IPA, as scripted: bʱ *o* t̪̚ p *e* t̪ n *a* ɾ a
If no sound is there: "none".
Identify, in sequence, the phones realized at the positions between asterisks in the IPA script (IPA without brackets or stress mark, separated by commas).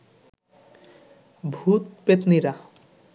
u, e, i